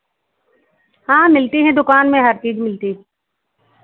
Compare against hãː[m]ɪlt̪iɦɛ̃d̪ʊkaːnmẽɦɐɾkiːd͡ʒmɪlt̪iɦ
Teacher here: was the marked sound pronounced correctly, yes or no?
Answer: yes